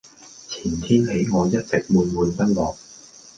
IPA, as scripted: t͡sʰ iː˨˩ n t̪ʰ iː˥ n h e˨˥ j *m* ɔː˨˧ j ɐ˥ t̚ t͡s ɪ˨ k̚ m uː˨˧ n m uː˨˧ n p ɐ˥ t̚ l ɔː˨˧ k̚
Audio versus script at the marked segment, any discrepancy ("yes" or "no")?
yes